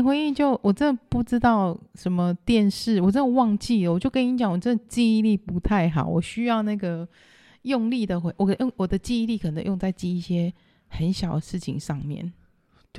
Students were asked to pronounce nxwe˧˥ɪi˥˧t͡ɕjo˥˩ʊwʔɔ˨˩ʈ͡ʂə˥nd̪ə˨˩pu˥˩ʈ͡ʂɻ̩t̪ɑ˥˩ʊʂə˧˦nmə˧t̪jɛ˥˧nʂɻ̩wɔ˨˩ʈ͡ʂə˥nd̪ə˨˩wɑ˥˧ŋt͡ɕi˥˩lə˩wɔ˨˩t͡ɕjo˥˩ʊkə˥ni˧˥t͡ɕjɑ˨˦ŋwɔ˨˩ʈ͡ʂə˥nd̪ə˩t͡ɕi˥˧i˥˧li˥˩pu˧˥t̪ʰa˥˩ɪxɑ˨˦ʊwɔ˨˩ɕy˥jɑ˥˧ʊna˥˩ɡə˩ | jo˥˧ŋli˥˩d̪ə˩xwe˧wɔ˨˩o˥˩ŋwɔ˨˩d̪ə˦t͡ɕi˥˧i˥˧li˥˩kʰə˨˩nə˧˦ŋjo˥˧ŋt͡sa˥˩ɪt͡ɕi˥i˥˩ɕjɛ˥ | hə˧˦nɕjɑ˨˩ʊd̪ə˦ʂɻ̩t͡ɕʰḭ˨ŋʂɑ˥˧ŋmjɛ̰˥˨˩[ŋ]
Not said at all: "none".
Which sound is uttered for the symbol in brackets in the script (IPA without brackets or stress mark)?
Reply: n